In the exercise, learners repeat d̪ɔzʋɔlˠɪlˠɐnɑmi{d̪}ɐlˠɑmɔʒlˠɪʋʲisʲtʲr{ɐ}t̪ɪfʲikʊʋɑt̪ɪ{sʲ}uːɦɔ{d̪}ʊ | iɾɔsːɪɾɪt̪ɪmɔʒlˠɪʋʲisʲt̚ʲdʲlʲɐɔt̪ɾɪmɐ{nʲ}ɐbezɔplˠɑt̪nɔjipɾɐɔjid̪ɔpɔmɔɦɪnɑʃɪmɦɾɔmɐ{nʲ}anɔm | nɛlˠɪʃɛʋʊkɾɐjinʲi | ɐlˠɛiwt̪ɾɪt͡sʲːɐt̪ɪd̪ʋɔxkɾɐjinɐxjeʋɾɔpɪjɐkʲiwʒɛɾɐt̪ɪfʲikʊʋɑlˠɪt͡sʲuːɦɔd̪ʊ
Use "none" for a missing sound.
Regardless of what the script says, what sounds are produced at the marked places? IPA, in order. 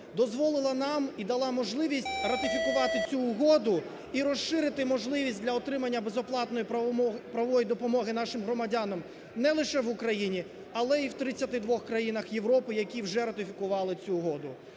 d̪, ɐ, t͡sʲ, d̪, nʲː, dʲ

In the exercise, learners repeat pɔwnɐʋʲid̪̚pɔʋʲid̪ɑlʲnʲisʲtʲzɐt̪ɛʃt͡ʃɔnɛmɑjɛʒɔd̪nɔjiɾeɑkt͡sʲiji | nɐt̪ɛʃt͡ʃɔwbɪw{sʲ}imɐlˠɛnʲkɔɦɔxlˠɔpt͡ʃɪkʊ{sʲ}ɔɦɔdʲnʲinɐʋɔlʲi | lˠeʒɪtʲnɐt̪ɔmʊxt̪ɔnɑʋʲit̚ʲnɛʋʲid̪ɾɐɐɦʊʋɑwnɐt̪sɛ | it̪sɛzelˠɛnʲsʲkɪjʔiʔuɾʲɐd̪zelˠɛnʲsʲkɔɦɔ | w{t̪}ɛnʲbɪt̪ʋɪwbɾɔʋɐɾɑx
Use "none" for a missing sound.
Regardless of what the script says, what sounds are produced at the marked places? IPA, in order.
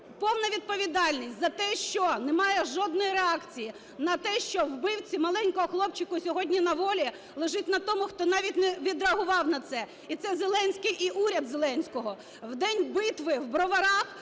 t͡sʲ, sʲ, d̪

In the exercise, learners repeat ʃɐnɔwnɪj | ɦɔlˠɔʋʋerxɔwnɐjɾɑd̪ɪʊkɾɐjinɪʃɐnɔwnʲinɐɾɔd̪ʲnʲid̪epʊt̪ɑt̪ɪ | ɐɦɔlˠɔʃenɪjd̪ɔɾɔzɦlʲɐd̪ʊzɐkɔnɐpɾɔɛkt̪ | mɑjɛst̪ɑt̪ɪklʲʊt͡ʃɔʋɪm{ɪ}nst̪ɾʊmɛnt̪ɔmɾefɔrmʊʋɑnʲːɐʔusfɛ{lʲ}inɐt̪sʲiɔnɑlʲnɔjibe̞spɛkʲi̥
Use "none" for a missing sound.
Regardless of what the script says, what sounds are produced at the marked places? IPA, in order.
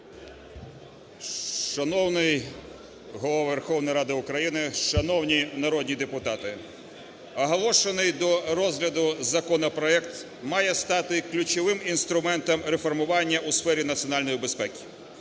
i, ɾʲ

